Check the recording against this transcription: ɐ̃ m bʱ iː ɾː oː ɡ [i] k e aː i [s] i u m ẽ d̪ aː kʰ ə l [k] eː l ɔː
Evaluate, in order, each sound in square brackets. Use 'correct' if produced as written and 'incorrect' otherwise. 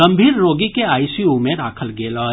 correct, correct, incorrect

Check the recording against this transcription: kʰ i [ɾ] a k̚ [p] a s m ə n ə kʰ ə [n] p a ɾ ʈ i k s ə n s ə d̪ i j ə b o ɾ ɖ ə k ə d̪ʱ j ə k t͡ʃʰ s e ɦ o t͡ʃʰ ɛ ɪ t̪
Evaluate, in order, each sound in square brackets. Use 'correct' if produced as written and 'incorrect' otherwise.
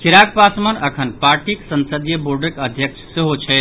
correct, correct, correct

